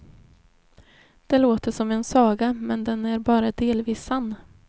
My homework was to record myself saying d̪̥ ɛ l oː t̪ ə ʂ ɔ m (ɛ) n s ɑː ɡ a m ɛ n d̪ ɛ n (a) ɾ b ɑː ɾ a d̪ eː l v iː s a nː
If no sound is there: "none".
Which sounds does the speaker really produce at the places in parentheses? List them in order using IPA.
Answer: ɛ, æ

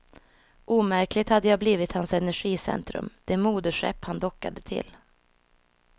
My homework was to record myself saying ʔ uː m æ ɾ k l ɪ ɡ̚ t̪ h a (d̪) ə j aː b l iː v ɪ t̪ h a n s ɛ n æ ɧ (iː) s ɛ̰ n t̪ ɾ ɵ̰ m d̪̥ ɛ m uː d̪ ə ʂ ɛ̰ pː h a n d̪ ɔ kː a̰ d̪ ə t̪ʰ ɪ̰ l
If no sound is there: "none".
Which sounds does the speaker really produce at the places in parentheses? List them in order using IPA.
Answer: d̪ː, iː

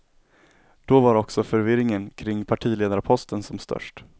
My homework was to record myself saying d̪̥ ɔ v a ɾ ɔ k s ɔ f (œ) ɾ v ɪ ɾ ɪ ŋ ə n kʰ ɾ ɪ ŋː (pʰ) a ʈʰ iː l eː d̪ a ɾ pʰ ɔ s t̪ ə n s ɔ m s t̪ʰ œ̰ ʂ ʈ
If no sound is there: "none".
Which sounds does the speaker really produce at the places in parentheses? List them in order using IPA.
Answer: œ, pʰ

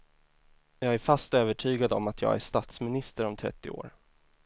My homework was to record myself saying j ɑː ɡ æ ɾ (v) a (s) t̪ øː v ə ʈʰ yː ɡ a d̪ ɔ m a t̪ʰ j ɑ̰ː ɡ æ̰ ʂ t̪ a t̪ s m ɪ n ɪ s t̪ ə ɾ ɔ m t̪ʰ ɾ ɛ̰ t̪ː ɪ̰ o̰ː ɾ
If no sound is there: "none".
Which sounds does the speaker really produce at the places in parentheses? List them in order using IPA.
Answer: f, s

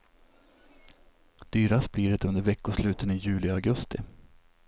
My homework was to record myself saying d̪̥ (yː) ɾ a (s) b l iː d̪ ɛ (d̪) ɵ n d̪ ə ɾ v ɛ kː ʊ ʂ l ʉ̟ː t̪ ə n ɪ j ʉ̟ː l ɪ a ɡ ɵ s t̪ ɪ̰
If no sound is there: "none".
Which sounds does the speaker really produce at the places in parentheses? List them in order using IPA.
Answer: yː, s, t̪

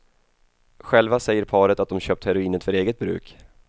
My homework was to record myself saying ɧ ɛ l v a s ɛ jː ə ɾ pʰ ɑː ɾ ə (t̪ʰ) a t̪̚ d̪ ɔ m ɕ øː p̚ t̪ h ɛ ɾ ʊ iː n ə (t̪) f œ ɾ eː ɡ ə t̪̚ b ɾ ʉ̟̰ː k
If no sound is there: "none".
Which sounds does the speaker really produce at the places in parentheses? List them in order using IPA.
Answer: t̪, t̪

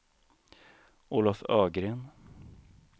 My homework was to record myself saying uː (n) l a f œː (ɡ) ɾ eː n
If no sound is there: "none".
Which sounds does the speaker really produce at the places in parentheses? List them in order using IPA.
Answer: none, ɡ

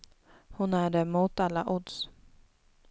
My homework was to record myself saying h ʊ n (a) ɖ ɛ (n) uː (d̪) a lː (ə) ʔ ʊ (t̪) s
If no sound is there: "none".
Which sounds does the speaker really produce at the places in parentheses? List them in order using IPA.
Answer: æ, m, t̪, a, d̪

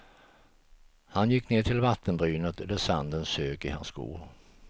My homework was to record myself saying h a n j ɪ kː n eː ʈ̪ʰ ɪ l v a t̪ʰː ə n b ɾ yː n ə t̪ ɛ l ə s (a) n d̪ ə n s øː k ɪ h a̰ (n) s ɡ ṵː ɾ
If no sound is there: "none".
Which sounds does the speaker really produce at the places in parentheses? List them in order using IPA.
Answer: a, n

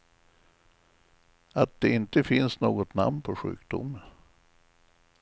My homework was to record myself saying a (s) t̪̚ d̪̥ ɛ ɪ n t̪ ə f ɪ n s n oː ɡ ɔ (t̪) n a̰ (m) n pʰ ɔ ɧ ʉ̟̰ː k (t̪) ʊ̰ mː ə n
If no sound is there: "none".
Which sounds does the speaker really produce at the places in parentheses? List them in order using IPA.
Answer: none, t̪, m, d̪

